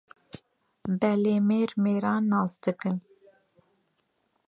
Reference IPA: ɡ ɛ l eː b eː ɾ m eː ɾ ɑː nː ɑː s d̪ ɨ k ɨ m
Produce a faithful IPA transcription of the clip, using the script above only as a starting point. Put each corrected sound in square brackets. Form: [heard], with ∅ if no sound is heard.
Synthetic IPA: [b] ɛ l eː [m] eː ɾ m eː ɾ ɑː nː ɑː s d̪ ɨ k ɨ [n]